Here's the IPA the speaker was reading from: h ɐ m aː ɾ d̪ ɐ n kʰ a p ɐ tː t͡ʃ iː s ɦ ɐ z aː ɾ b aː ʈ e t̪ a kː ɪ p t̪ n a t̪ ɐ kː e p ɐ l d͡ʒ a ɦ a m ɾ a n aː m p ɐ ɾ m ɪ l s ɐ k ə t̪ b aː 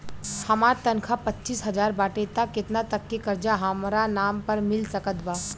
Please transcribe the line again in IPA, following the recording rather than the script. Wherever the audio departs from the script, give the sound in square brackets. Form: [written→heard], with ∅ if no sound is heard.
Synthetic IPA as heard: h ɐ m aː ɾ [d̪→t̪] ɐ n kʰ a p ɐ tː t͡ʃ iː s ɦ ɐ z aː ɾ b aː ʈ e t̪ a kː ɪ [p→∅] t̪ n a t̪ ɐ kː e [p→k] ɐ [l→ɾ] d͡ʒ a ɦ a m ɾ a n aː m p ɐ ɾ m ɪ l s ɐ k ə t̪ b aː